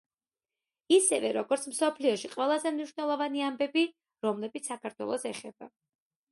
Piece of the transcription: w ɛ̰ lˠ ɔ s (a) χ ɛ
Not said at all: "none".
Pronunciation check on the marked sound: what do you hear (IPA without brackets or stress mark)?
ɛ